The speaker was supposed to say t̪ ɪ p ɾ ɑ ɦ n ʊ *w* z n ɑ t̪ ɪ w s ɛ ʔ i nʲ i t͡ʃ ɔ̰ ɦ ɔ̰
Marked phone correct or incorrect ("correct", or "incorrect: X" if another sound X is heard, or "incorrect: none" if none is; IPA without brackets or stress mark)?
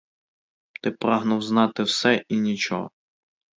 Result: correct